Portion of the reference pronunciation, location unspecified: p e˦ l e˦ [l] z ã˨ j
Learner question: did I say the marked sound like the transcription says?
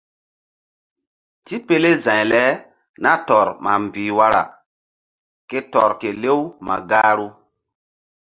no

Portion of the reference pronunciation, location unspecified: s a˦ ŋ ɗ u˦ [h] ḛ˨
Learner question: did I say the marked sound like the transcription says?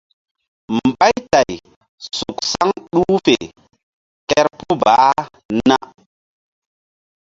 no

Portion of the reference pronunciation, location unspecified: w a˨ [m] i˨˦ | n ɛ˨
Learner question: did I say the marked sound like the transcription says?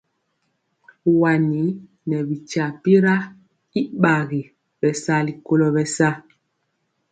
no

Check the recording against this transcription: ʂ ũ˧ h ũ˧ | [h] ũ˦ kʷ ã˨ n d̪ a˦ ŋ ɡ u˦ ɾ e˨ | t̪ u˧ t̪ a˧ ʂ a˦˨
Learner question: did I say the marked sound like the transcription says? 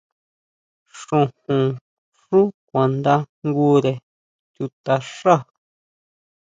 no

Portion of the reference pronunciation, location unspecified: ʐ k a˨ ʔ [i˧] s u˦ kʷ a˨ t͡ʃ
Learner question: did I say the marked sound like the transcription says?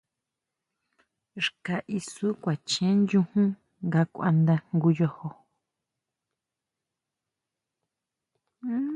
yes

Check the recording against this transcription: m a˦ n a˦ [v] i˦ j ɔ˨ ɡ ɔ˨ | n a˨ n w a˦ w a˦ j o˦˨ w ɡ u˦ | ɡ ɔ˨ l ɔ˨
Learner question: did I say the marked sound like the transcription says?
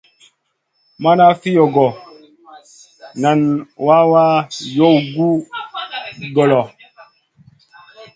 no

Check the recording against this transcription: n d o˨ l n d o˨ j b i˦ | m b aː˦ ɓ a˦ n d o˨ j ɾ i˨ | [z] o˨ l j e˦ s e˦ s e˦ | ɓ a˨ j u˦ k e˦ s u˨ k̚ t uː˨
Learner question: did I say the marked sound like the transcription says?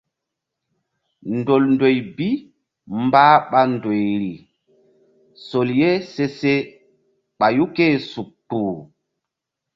no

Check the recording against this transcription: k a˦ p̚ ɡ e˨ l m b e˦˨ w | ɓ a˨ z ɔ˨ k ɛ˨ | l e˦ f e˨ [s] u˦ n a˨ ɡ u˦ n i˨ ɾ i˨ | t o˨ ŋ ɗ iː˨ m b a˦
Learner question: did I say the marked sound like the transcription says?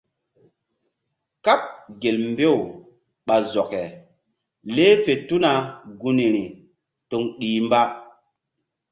no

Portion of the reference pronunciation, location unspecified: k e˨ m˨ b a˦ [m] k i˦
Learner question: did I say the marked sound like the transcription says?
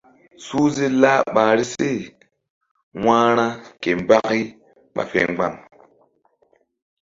no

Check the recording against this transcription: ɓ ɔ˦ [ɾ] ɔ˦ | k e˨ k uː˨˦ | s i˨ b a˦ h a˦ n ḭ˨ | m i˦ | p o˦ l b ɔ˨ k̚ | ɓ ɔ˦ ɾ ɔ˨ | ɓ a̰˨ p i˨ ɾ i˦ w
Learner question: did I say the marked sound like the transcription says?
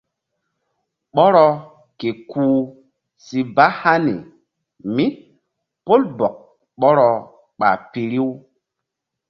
yes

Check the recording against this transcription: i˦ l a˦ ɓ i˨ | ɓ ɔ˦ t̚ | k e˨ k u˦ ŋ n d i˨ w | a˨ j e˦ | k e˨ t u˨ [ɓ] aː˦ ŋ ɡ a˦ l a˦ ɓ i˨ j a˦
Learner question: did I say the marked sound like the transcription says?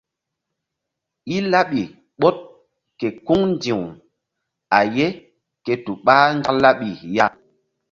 yes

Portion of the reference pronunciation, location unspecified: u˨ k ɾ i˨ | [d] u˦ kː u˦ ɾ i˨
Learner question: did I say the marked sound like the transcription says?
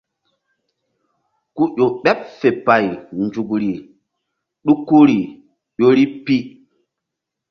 no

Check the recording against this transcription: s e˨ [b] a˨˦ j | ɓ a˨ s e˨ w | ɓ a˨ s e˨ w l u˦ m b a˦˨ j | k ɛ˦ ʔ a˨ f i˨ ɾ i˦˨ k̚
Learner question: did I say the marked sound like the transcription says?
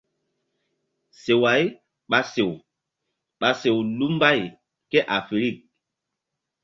no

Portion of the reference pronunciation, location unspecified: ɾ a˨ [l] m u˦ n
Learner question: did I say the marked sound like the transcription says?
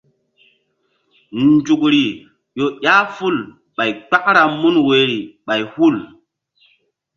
no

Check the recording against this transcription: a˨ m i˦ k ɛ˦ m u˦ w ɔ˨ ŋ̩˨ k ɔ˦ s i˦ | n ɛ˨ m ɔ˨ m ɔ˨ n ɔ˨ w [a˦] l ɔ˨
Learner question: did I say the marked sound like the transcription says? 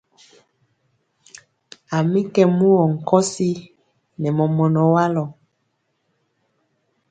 yes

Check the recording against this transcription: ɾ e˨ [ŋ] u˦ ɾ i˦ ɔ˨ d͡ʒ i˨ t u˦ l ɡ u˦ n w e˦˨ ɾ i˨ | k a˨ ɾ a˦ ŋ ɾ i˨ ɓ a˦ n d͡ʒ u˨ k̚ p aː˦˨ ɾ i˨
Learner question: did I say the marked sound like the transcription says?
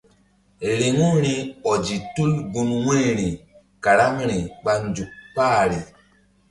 yes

